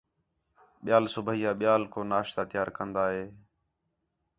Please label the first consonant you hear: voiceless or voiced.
voiced